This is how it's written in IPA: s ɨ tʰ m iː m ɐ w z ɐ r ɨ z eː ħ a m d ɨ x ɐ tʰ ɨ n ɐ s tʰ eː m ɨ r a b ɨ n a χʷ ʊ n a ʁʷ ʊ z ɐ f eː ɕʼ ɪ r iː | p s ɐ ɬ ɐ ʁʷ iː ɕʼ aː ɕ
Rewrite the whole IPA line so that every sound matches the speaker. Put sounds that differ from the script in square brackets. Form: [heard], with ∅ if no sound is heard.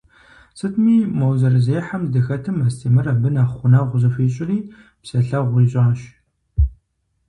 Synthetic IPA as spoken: s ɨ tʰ m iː m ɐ w z ɐ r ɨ z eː ħ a m d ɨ x ɐ tʰ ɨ [m] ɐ s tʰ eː m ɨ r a b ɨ n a χʷ ʊ n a ʁʷ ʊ z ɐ f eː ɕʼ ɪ r iː | p s ɐ ɬ ɐ ʁʷ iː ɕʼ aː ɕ